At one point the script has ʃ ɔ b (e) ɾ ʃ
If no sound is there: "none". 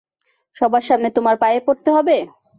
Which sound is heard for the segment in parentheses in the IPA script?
a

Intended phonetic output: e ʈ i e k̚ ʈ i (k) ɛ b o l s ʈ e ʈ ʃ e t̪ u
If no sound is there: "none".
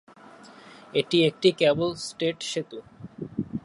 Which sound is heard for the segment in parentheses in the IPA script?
k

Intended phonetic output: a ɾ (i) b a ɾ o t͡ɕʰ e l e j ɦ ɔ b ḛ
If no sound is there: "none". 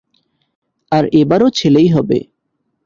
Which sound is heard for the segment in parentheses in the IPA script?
e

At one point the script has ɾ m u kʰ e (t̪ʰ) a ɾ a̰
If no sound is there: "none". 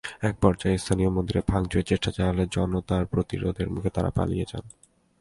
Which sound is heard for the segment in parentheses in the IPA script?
t̪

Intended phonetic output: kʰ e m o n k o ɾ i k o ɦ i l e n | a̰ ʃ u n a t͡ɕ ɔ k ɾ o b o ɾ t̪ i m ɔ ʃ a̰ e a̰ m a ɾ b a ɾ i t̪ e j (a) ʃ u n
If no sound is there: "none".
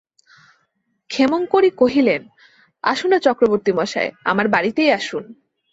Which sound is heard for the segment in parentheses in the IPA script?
a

